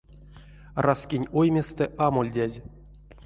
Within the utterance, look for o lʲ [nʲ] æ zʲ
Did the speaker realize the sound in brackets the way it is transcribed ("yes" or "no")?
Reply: no